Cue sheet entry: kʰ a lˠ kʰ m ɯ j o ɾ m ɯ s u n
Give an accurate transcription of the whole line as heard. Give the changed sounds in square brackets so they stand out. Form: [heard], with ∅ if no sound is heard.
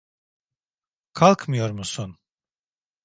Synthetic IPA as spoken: kʰ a lˠ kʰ m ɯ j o ɾ m [u] s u n